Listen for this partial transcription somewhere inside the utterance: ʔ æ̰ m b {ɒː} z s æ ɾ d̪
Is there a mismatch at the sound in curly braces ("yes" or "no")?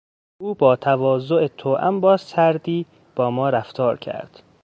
no